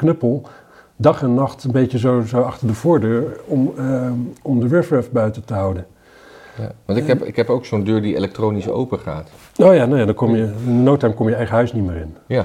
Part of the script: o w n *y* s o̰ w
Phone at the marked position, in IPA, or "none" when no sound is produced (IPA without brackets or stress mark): i